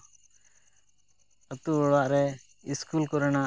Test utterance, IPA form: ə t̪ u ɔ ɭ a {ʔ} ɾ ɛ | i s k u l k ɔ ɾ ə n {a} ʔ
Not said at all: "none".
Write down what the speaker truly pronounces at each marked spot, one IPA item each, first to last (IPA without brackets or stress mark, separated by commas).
ʔ, a